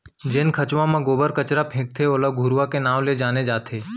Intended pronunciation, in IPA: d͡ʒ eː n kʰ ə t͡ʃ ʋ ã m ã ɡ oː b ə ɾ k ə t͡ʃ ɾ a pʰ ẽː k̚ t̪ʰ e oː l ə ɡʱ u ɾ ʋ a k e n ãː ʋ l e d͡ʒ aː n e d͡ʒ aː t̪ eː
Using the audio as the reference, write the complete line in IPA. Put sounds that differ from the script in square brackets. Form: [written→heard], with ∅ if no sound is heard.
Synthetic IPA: d͡ʒ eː n kʰ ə t͡ʃ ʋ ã m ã ɡ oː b ə ɾ k ə t͡ʃ ɾ a pʰ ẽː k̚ t̪ʰ e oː l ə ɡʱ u ɾ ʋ a k e n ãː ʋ l e d͡ʒ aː n e d͡ʒ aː [t̪→t̪ʰ] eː